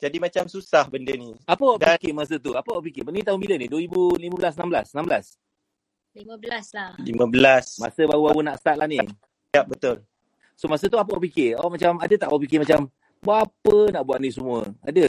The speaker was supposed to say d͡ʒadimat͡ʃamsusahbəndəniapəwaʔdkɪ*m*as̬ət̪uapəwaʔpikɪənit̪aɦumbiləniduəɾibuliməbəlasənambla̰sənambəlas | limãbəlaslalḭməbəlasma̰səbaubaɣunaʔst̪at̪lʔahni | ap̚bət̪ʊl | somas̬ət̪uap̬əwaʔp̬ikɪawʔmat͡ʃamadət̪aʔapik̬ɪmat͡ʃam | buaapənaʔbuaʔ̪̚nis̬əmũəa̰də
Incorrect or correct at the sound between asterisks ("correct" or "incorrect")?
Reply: correct